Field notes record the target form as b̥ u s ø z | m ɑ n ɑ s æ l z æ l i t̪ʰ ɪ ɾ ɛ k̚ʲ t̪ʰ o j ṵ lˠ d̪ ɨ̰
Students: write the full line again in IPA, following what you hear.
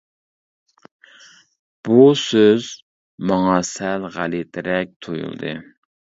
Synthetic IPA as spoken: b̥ u s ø z | m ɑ ŋ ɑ s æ l ʁ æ l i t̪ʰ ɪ ɾ ɛ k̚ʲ t̪ʰ o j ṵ lˠ d̪ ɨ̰